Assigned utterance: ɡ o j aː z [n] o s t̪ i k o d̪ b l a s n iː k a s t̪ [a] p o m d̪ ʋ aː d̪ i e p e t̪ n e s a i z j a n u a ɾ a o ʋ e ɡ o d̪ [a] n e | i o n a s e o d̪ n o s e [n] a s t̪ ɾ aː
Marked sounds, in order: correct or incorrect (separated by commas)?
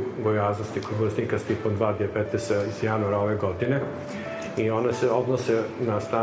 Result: correct, incorrect, incorrect, correct